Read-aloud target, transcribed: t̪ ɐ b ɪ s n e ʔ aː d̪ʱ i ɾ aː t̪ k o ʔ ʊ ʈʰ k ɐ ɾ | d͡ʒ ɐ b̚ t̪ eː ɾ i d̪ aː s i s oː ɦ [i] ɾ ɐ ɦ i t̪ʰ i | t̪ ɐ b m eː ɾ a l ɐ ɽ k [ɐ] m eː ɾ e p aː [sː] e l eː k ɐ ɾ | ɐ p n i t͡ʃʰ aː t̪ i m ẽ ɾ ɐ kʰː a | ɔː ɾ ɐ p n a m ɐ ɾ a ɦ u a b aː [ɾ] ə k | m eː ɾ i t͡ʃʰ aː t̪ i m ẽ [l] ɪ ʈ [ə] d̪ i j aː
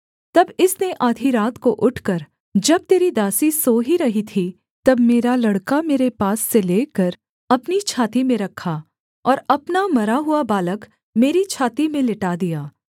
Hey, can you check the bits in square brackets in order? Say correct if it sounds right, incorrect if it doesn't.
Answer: correct, incorrect: a, correct, incorrect: l, correct, incorrect: a

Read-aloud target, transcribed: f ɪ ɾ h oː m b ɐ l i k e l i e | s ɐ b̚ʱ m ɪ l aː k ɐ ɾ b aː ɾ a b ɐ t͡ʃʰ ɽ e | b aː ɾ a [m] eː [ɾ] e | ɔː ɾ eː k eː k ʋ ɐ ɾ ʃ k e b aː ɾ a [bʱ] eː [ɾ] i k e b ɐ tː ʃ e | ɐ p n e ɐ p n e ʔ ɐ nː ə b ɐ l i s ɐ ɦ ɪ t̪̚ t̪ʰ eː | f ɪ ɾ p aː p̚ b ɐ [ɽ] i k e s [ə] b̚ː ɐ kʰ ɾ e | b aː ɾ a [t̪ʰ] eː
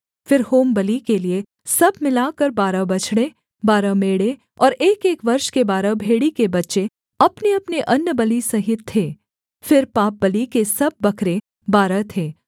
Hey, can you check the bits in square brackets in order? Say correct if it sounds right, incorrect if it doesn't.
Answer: correct, incorrect: ɽ, correct, incorrect: ɽ, incorrect: l, incorrect: ɐ, correct

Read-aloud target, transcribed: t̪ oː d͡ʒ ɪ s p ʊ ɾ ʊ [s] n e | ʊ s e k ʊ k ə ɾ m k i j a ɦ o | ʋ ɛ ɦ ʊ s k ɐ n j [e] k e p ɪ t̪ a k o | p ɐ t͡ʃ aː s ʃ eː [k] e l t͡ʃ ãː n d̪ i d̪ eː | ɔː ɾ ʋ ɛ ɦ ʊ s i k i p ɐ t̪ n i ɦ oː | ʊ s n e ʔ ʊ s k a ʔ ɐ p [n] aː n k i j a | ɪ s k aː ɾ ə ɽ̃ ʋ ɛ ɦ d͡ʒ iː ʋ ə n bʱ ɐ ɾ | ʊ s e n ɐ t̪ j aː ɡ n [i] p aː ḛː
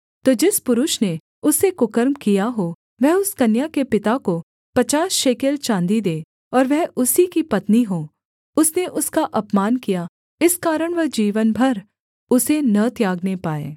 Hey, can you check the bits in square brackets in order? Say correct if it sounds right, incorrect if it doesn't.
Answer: incorrect: ʃ, incorrect: a, correct, incorrect: m, incorrect: e

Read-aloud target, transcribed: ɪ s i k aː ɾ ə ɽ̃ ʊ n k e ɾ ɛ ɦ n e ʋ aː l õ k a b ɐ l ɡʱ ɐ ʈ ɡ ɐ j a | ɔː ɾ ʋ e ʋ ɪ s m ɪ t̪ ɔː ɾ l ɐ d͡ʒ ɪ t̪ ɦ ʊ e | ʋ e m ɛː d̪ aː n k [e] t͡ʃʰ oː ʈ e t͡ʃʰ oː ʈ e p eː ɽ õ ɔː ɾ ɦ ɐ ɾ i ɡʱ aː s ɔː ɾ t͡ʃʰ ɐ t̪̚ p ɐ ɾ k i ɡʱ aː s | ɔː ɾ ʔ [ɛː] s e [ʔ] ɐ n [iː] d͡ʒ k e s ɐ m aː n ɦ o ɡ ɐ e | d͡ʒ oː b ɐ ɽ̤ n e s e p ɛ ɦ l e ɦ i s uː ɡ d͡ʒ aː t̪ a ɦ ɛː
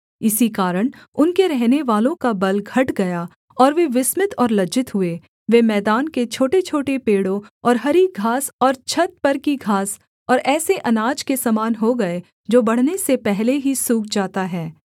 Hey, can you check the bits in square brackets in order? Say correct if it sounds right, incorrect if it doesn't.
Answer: correct, correct, correct, incorrect: aː

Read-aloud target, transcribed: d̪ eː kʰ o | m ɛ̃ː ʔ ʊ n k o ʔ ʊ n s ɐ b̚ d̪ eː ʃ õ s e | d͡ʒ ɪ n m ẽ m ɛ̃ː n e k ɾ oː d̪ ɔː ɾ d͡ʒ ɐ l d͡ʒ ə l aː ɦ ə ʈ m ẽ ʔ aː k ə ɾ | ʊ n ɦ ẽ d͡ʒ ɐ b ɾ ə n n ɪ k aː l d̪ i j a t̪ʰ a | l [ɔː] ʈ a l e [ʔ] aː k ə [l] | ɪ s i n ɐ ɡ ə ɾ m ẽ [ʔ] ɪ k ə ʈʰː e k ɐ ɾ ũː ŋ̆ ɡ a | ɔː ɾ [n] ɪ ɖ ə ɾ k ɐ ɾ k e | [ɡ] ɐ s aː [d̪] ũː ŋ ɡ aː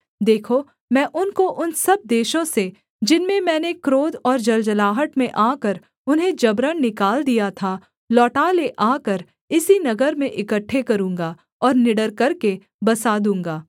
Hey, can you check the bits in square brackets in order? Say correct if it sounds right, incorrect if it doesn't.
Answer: correct, correct, incorrect: ɾ, correct, correct, incorrect: b, correct

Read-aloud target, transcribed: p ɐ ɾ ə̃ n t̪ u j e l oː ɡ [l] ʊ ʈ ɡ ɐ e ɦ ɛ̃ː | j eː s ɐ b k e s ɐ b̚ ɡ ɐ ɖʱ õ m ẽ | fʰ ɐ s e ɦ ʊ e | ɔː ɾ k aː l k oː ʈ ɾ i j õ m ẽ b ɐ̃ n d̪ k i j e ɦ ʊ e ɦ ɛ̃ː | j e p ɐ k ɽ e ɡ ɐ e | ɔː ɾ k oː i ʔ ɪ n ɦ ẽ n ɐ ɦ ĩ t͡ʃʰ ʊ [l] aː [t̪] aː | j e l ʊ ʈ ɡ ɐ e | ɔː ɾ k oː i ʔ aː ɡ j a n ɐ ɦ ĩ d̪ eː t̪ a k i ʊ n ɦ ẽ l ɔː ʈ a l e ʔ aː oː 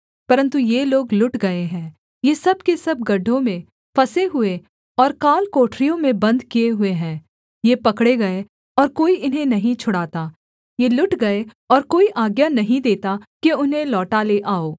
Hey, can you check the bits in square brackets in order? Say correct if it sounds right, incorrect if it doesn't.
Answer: correct, incorrect: ɽ, correct

